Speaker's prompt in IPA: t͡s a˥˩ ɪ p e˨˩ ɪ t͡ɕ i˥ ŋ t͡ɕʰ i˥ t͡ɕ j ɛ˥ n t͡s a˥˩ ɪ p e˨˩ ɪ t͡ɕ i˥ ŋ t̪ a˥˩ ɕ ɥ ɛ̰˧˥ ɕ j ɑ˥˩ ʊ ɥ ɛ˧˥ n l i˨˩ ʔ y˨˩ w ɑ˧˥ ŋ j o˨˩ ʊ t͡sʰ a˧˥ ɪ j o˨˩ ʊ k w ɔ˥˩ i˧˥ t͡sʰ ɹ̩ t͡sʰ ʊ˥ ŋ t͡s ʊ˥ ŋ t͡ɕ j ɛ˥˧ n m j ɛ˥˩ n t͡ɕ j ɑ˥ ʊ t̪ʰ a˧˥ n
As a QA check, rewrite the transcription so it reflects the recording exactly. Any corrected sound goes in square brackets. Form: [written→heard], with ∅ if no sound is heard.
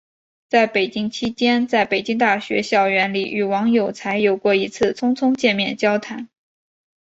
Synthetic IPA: t͡s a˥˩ ɪ p e˨˩ ɪ t͡ɕ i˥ ŋ t͡ɕʰ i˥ t͡ɕ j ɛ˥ n t͡s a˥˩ ɪ p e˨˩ ɪ t͡ɕ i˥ ŋ t̪ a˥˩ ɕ ɥ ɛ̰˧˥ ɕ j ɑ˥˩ ʊ ɥ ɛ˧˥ n l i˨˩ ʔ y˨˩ w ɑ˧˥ ŋ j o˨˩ ʊ t͡sʰ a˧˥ ɪ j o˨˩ ʊ k w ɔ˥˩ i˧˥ t͡sʰ ɹ̩ t͡sʰ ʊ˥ ŋ [t͡s→t͡sʰ] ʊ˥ ŋ t͡ɕ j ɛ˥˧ n m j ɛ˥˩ n t͡ɕ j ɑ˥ ʊ t̪ʰ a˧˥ n